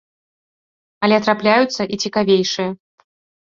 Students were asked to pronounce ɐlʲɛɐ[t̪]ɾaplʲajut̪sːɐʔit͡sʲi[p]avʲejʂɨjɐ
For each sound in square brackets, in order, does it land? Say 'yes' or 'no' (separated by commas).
yes, no